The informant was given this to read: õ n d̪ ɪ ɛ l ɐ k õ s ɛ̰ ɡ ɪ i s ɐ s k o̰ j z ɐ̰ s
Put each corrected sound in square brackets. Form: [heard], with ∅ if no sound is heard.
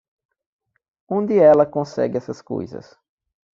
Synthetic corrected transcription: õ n d̪ ɪ ɛ l ɐ k õ s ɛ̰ ɡ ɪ [ɛ] s ɐ s k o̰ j z ɐ̰ s